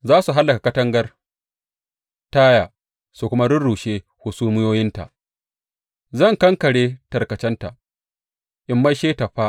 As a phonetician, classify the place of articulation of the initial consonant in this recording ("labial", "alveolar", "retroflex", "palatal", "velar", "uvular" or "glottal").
alveolar